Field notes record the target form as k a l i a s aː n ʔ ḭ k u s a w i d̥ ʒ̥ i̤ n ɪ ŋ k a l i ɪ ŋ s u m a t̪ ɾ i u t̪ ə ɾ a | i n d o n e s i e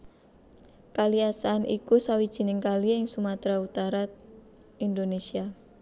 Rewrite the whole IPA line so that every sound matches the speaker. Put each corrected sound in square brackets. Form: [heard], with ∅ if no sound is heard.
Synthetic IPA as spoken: k a l i a s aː n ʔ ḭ k u s a w i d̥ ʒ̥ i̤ n ɪ ŋ k a l i ɪ ŋ s u m a t̪ ɾ [a] u t̪ [a] ɾ a | i n d o n e s i [a]